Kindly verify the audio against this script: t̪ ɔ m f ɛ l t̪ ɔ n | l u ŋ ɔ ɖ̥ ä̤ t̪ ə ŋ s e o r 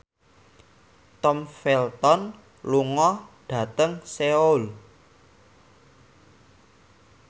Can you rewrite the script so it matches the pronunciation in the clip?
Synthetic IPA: t̪ ɔ m f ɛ l t̪ ɔ n | l u ŋ ɔ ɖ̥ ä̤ t̪ ə ŋ s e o l